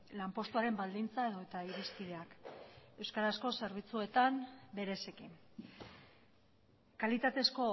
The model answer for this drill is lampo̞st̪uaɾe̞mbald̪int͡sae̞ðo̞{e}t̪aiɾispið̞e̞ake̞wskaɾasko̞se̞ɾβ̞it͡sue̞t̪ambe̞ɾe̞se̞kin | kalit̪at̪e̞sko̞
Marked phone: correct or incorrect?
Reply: correct